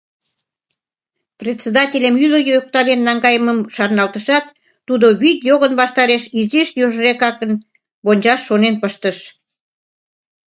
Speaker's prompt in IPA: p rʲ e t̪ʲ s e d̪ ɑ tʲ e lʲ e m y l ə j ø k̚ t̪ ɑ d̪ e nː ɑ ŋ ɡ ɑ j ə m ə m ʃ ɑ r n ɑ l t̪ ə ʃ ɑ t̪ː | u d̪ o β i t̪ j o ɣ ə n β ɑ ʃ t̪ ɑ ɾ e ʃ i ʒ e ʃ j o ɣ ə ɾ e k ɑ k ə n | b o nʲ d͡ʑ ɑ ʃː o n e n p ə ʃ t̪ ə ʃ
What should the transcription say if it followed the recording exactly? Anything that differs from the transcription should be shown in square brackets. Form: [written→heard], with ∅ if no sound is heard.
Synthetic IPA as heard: p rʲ e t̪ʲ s e d̪ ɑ tʲ e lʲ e m y l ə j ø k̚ t̪ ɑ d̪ e nː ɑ ŋ ɡ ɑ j ə m ə m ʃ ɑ r n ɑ l t̪ ə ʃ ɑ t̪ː | u d̪ o β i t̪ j o ɣ ə n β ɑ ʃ t̪ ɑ ɾ e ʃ i [ʒ→z] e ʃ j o [ɣ→ʒ] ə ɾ e k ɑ k ə n | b o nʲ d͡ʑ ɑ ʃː o n e n p ə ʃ t̪ ə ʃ

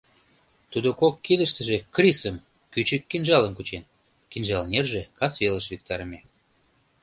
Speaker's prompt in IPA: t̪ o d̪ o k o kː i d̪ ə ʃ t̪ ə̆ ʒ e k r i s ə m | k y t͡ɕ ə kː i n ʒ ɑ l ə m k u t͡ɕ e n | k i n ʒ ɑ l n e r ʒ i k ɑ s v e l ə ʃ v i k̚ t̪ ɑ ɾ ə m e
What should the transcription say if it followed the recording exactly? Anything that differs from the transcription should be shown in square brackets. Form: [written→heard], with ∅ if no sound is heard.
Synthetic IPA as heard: t̪ [o→u] d̪ o k o kː i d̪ ə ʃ t̪ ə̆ ʒ e k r i s ə m | k y t͡ɕ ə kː i n ʒ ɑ l ə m k u t͡ɕ e n | k i n ʒ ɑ l n e r ʒ [i→e] k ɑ s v e l ə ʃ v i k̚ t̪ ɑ ɾ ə m e

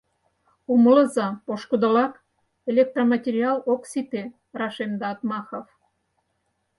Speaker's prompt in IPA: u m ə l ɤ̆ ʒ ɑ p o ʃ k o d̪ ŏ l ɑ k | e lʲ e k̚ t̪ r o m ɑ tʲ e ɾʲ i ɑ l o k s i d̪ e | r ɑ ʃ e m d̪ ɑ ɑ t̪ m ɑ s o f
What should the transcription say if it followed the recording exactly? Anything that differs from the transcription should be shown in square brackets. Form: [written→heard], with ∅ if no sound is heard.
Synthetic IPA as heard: u m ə l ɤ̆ [ʒ→z] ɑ p o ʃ k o d̪ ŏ l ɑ k | e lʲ e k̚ t̪ r o m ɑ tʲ e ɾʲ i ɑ l o k s i [d̪→t̪] e | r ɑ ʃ e m d̪ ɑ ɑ t̪ m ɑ [s→x] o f

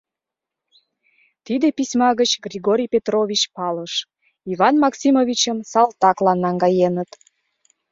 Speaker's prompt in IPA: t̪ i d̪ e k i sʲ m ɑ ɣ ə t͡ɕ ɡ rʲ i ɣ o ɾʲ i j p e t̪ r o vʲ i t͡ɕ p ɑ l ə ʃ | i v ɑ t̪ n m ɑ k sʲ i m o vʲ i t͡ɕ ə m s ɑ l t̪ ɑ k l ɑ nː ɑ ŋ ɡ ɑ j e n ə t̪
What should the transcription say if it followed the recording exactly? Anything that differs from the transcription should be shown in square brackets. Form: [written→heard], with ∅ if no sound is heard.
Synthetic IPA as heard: t̪ i d̪ e [k→p] i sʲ m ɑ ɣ ə t͡ɕ ɡ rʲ i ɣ o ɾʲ i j p e t̪ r o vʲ i t͡ɕ p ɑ l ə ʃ | i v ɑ [t̪→∅] n m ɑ k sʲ i m o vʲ i t͡ɕ ə m s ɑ l t̪ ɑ k l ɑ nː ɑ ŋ ɡ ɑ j e n ə t̪

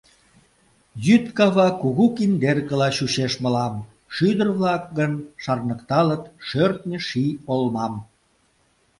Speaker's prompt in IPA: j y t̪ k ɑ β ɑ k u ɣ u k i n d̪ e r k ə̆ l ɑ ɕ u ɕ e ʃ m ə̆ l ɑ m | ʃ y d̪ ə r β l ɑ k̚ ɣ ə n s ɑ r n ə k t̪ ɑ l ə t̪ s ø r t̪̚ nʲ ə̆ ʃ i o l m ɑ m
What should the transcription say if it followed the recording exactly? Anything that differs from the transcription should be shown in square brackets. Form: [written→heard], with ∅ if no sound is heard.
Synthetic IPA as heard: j y t̪ k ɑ β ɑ k u ɣ u k i n d̪ e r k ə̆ l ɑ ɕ u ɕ e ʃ m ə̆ l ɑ m | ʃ y d̪ ə r β l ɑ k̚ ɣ ə n [s→ʃ] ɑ r n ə k t̪ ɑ l ə t̪ [s→ʃ] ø r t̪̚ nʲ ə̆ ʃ i o l m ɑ m

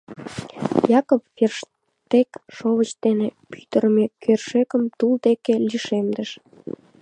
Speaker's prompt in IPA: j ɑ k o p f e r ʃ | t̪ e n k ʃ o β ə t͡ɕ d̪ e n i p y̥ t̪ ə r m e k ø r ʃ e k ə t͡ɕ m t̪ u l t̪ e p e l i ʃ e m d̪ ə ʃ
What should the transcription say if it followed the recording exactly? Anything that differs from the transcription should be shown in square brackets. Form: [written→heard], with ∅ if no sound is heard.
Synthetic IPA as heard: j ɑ k o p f e r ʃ | t̪ e [n→∅] k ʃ o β ə t͡ɕ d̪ e n [i→e] p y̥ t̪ ə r m e k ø r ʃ e k ə [t͡ɕ→∅] m t̪ u l [t̪→d̪] e [p→k] e l i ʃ e m d̪ ə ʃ

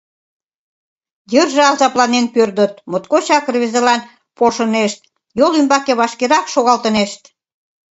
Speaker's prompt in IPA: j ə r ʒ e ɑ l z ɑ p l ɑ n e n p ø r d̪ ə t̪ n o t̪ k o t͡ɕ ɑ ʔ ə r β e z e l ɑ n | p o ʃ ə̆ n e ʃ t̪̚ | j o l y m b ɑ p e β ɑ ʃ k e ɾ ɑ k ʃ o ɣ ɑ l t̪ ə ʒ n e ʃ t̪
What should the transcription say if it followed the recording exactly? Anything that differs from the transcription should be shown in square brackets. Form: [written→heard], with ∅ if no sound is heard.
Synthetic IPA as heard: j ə r ʒ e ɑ l z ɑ p l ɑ n e n p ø r d̪ ə t̪ [n→m] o t̪ k o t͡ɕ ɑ [ʔ→k] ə r β e z e l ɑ n | p o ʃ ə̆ n e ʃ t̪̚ | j o l y m b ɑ [p→k] e β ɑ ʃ k e ɾ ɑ k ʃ o ɣ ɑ l t̪ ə [ʒ→∅] n e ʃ t̪

